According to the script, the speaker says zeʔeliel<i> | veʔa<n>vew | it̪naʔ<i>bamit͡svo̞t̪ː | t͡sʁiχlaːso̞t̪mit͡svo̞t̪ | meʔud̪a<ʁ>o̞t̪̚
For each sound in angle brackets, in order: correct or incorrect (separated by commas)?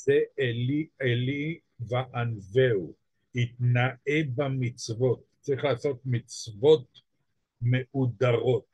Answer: correct, correct, incorrect, correct